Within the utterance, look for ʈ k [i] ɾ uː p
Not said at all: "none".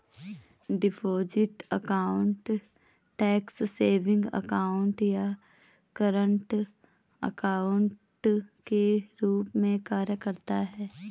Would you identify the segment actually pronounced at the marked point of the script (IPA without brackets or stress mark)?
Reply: e